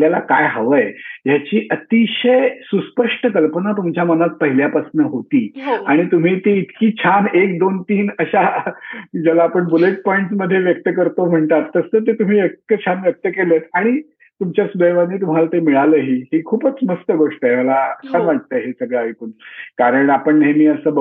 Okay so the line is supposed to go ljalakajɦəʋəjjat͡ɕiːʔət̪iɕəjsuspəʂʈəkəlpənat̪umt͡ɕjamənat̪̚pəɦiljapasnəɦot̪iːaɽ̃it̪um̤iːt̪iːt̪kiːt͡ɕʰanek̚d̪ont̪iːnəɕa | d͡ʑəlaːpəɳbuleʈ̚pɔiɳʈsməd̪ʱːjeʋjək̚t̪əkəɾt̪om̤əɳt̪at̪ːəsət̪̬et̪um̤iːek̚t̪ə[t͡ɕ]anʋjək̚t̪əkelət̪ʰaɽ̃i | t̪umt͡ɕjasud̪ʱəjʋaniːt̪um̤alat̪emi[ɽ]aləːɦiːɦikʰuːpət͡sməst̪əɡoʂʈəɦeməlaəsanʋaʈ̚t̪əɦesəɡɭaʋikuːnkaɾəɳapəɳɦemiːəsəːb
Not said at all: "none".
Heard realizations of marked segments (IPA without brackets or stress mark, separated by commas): t͡ɕʰ, ɭ